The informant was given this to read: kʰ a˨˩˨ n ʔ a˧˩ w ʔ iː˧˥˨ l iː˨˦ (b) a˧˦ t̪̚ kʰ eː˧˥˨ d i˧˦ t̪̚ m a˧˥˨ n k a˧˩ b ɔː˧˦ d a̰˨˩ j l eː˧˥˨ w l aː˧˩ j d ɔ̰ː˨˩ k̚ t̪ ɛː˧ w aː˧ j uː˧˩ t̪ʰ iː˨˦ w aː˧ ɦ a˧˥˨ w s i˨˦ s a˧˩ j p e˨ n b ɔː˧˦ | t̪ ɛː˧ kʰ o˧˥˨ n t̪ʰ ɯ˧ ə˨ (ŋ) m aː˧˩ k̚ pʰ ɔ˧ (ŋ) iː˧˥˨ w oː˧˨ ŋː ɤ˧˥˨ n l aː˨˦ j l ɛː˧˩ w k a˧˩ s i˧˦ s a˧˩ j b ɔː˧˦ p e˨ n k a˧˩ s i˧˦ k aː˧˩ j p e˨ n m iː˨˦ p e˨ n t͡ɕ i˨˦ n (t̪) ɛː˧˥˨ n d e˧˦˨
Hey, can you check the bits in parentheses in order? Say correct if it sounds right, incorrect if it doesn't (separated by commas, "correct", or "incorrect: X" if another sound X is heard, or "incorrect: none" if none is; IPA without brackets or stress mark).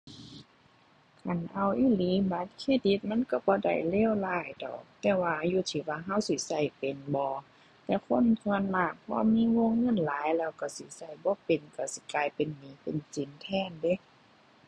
correct, incorrect: n, incorrect: m, incorrect: t̪ʰ